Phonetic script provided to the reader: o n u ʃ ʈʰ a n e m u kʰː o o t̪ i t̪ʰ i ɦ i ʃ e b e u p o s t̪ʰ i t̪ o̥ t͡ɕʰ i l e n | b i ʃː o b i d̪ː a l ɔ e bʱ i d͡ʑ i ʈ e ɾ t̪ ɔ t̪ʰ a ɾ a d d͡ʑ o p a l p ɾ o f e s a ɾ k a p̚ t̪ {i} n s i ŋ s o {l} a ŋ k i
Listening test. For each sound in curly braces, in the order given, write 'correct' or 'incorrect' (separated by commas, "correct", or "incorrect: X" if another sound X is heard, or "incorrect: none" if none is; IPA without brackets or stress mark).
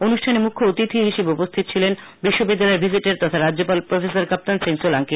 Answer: incorrect: a, correct